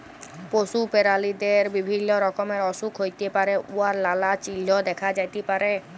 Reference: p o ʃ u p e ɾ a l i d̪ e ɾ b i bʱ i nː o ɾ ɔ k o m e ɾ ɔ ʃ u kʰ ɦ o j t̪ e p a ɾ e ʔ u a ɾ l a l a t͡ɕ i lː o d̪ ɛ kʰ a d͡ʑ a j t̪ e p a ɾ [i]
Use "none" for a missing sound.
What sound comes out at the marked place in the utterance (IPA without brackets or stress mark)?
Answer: e